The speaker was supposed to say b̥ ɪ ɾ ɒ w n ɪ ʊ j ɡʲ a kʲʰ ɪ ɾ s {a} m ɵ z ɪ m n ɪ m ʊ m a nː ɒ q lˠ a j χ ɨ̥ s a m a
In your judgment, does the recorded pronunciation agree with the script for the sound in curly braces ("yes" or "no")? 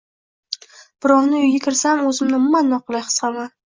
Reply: yes